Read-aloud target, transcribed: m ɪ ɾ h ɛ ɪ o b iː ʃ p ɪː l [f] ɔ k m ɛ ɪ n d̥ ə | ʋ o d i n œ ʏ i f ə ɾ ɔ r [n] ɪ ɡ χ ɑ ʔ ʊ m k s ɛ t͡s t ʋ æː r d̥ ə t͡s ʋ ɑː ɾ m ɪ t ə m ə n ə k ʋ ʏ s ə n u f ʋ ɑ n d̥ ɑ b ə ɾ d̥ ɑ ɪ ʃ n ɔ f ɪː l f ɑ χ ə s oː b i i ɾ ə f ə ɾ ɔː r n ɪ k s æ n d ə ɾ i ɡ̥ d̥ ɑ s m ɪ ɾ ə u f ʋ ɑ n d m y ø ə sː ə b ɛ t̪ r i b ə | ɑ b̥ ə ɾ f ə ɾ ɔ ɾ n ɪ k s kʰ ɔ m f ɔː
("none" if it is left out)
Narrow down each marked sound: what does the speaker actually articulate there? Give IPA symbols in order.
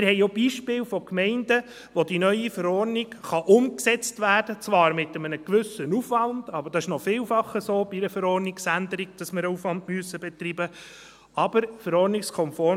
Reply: f, n

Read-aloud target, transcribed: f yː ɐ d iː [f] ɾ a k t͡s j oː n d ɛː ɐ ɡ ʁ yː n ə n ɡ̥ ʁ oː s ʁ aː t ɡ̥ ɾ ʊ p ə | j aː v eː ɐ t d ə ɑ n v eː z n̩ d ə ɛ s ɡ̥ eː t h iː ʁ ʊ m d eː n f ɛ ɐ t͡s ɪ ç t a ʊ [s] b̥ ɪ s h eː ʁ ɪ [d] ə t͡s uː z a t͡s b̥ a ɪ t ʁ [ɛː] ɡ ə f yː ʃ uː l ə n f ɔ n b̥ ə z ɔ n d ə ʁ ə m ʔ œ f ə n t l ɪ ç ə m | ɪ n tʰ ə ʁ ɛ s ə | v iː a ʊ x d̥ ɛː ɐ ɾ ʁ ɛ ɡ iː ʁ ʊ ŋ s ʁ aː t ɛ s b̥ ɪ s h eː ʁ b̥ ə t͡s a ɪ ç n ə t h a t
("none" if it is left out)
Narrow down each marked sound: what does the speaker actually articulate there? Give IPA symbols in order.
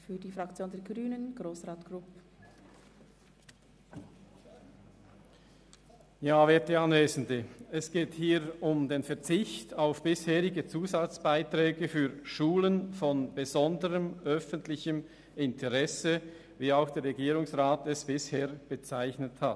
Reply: f, f, ɡ, ɛː

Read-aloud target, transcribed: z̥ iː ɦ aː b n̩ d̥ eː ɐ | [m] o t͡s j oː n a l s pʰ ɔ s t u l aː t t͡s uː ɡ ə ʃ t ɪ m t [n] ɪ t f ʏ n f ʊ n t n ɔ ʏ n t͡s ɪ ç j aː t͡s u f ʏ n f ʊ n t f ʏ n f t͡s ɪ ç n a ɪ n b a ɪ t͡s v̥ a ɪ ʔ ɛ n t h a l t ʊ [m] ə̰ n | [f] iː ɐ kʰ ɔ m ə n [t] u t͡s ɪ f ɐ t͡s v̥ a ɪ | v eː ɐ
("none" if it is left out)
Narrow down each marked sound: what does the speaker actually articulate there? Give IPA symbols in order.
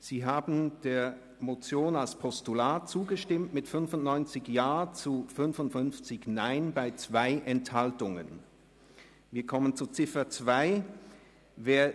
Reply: m, m, ŋ, v, t͡s

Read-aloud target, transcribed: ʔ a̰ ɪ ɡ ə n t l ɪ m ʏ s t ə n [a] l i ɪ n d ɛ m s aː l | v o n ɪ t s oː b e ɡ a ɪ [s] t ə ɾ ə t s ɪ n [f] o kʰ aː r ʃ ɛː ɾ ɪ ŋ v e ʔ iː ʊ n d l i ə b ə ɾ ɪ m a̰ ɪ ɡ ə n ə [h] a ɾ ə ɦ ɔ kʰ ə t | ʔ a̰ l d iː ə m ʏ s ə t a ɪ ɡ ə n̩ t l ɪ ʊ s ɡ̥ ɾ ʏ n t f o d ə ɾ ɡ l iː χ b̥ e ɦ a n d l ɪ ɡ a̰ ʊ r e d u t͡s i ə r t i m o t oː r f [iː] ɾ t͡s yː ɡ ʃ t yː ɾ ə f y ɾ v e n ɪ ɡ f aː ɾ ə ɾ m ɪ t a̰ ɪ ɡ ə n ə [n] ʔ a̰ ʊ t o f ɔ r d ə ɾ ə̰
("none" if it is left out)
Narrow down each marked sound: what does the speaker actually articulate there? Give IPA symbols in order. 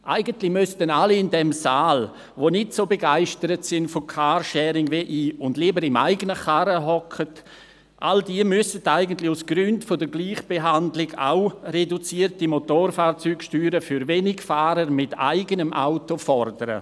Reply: a, ʃ, f, χ, aː, m

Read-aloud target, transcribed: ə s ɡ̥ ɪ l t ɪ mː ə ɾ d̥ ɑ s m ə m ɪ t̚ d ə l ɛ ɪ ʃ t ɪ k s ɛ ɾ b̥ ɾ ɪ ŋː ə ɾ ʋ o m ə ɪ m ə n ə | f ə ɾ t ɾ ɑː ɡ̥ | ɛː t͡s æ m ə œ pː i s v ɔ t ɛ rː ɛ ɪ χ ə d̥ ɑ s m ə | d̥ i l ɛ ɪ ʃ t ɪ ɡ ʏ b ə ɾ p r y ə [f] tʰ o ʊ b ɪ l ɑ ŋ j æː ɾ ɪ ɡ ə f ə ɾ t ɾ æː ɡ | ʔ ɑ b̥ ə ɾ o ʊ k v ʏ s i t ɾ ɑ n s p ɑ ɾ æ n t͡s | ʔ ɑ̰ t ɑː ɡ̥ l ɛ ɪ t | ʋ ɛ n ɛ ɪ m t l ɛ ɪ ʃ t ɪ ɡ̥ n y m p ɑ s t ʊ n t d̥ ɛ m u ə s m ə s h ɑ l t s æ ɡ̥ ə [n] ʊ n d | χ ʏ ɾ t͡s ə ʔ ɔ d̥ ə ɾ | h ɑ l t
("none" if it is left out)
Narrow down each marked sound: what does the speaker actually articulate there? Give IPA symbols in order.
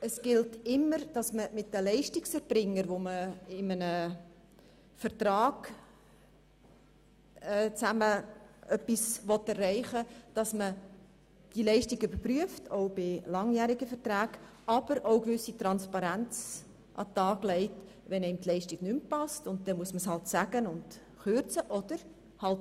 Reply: f, n

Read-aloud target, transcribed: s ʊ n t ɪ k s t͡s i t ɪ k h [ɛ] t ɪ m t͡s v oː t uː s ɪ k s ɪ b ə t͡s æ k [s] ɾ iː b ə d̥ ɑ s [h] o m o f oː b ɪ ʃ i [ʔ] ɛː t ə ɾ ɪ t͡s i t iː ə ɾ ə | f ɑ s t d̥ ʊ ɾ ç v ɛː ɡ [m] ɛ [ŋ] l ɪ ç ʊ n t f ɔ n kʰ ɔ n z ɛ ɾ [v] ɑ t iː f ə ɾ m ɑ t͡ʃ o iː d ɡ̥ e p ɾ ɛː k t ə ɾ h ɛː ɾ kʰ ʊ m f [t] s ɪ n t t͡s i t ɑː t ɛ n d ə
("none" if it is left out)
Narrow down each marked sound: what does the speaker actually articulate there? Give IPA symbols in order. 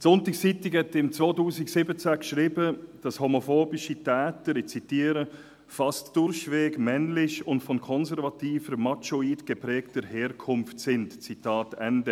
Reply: ɛ, ʃ, h, t, m, n, v, t

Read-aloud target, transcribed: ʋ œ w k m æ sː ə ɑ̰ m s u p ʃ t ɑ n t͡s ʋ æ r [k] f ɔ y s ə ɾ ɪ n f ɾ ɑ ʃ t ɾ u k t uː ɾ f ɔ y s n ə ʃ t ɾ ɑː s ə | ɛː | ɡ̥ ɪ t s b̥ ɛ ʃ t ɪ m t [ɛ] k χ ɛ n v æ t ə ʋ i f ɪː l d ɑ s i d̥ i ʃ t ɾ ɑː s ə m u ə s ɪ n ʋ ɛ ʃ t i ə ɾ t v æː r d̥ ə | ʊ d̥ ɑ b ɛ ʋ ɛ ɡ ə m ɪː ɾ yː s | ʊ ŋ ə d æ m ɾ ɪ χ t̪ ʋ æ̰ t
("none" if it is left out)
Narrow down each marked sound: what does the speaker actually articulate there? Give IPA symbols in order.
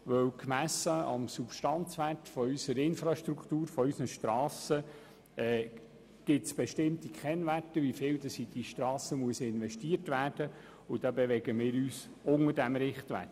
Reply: t, i

